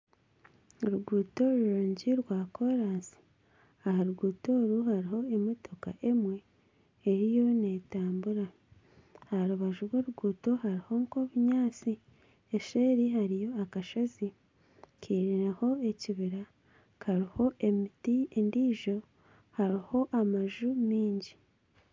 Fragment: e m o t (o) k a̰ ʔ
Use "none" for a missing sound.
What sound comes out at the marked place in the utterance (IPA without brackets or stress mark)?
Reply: o